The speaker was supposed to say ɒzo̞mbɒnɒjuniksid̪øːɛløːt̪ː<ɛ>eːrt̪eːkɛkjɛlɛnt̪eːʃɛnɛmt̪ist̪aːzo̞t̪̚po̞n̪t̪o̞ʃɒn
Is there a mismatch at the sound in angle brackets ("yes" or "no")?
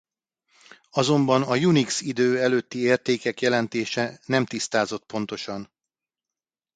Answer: yes